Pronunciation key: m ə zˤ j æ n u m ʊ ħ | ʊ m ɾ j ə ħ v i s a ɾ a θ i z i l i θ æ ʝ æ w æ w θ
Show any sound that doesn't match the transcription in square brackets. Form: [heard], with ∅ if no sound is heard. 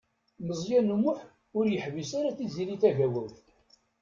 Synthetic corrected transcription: m ə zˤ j æ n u m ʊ ħ | ʊ [∅] ɾ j ə ħ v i s a ɾ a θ i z i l i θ æ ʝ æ w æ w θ